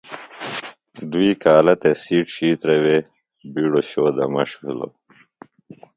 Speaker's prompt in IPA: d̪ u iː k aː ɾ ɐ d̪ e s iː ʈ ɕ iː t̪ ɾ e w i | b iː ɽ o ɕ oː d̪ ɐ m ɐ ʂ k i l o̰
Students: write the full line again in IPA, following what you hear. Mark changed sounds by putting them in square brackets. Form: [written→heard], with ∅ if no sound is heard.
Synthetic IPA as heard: d̪ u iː k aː [ɾ→l] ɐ [d̪→t̪] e s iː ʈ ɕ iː t̪ ɾ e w [i→e] | b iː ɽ o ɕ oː d̪ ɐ m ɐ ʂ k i l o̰